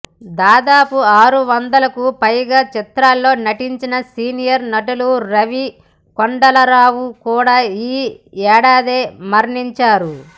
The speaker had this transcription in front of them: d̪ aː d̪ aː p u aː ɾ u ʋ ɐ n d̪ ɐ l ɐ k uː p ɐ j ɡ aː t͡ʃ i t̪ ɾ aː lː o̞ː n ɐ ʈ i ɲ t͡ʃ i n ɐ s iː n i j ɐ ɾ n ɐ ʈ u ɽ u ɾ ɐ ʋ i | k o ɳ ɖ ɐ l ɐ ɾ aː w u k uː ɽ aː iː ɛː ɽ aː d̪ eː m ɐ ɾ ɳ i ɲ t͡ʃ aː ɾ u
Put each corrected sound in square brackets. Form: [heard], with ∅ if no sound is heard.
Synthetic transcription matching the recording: d̪ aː d̪ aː p u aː ɾ u ʋ ɐ n d̪ ɐ l ɐ k [u] p ɐ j ɡ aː t͡ʃ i t̪ ɾ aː lː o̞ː n ɐ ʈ i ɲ t͡ʃ i n ɐ s iː n i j ɐ ɾ n ɐ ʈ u [l] u ɾ ɐ ʋ i | k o ɳ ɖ ɐ l ɐ ɾ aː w u k uː ɽ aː iː ɛː ɽ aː d̪ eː m ɐ ɾ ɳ i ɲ t͡ʃ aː ɾ u